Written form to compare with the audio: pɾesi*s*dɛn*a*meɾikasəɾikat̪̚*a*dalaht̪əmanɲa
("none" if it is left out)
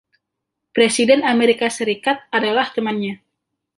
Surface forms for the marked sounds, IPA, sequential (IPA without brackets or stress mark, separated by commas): none, a, a